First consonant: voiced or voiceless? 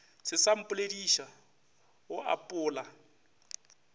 voiceless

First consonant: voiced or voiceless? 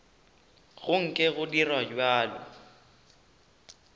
voiced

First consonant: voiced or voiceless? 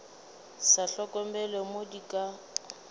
voiceless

